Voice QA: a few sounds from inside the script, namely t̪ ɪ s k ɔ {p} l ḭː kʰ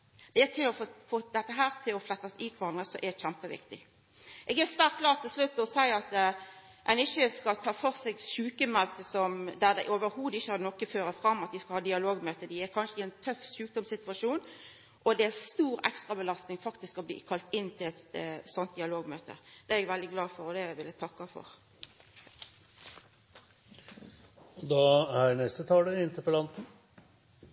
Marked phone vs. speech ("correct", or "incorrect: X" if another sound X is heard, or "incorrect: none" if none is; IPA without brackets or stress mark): incorrect: b